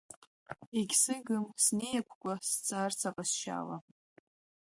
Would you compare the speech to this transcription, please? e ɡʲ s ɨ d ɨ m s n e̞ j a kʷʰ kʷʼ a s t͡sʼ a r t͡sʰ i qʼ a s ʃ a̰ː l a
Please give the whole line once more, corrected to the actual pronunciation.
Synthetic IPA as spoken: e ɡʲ s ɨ ɡ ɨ m s n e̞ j a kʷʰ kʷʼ a s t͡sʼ a r t͡sʰ a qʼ a s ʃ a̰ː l a

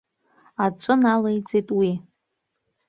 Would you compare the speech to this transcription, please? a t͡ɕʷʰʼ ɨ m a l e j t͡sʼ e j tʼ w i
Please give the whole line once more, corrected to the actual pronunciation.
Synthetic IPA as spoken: a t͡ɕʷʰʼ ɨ n a l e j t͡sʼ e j tʼ w i

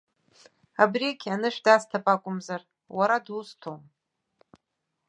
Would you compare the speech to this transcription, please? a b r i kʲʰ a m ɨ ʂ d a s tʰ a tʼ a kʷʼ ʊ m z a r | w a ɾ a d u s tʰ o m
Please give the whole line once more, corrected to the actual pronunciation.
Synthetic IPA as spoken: a b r i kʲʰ a n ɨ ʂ d a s tʰ a pʼ a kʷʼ ʊ m z a r | w a ɾ a d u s tʰ o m

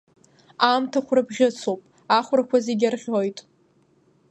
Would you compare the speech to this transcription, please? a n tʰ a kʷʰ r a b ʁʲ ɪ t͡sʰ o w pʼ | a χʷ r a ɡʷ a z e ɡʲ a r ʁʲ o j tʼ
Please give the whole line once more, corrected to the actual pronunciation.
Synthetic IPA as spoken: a m tʰ a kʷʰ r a b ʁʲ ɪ t͡sʰ o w pʼ | a χʷ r a kʷ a z e ɡʲ a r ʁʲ o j tʼ

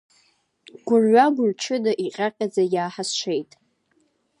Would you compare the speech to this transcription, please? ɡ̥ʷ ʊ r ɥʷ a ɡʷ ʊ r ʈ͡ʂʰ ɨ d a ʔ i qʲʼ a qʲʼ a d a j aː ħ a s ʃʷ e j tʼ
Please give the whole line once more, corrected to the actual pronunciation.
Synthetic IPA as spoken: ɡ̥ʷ ʊ r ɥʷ a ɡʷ ʊ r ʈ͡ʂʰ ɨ d a ʔ i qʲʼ a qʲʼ a d͡z a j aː ħ a s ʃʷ e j tʼ

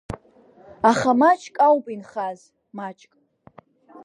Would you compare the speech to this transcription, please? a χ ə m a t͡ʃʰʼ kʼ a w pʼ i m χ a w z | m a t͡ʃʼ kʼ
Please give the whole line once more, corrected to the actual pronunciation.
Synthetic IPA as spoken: a χ a m a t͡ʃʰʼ kʼ a w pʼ i n χ a z | m a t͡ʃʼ kʼ

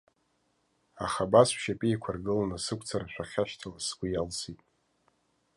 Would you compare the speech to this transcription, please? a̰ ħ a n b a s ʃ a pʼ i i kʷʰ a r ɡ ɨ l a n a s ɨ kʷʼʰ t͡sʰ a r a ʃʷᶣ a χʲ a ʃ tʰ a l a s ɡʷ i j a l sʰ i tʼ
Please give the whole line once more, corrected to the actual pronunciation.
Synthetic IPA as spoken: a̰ χ a b a s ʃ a pʼ i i kʷʰ a r ɡ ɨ l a n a s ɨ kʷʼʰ t͡sʰ a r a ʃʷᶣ a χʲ a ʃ tʰ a l a s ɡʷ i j a l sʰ i tʼ

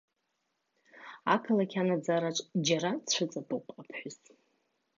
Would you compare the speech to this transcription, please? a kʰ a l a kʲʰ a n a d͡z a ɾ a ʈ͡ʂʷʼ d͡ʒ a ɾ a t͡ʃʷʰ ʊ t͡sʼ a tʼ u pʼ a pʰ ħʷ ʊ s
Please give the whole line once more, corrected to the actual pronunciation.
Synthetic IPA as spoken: a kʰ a l a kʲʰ a n a d͡z a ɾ a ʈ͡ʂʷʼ d͡ʒ a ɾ a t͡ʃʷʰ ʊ t͡sʼ a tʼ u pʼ a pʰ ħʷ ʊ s

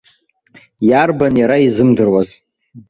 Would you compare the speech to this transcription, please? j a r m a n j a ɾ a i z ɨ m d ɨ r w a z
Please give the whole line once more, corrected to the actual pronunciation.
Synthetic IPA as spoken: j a r b a n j a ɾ a i z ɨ m d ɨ r w a z

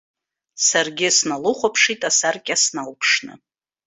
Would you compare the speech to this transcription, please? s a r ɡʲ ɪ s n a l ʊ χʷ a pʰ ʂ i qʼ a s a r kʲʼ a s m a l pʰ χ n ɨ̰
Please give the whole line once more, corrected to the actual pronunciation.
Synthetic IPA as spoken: s a r ɡʲ ɪ s n a l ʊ χʷ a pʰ ʂ i tʼ a s a r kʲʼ a s n a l pʰ ʂ n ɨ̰

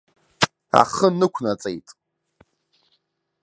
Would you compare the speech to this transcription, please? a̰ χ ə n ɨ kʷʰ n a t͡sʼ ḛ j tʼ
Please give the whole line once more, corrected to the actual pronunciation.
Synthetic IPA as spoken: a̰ χ ə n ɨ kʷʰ n a t͡sʼ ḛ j tʼ

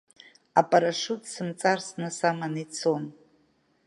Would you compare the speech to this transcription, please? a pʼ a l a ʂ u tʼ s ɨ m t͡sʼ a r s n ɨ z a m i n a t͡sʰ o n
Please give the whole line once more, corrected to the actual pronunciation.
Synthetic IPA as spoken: a pʼ a ɾ a ʂ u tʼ s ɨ m t͡sʼ a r s n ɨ s a m a n i t͡sʰ o n

